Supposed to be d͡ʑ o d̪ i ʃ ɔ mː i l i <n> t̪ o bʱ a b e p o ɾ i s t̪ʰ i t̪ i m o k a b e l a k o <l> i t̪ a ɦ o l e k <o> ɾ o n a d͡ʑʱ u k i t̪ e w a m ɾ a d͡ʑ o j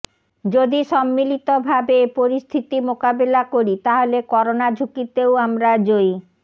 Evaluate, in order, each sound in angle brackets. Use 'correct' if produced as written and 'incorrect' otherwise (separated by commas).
incorrect, incorrect, incorrect